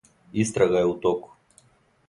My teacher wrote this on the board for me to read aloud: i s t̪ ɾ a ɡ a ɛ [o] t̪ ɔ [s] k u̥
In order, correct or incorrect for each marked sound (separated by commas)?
incorrect, incorrect